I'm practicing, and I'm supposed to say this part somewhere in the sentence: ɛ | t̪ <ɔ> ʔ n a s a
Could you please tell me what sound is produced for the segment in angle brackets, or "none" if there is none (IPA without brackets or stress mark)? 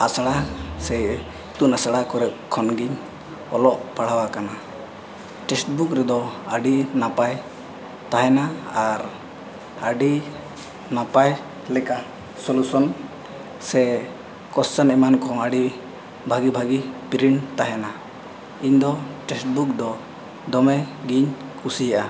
u